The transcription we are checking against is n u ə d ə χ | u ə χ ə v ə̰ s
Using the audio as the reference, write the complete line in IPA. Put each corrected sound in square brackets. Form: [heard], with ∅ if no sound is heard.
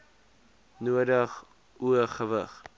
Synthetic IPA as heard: n u ə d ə χ | u ə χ ə v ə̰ [χ]